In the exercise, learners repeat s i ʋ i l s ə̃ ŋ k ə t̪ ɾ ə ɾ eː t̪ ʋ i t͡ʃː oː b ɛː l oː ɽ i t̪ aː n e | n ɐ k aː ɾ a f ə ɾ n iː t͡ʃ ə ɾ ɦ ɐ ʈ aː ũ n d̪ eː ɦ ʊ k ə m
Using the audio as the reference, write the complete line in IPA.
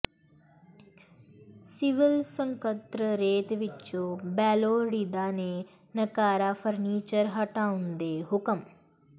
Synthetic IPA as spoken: s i ʋ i l s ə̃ ŋ k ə t̪ ɾ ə ɾ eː t̪ ʋ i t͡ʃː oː b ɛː l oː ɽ i d̪ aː n e | n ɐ k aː ɾ a f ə ɾ n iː t͡ʃ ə ɾ ɦ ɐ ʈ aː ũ n d̪ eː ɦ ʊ k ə m